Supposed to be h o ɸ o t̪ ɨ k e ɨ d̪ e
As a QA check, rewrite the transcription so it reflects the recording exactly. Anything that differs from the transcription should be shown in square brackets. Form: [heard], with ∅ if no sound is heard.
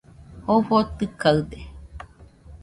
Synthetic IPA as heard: h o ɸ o t̪ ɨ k [a] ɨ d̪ e